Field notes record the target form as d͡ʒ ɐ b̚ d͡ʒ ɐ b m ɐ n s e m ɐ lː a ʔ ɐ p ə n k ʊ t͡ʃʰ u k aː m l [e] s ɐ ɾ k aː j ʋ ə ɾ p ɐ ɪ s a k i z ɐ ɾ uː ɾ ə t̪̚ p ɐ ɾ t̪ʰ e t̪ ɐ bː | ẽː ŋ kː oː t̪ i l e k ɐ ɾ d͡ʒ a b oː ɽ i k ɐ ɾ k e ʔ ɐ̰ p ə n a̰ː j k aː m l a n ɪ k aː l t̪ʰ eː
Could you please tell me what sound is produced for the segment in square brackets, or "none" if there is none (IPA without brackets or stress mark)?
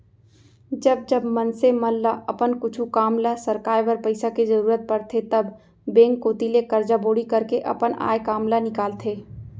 a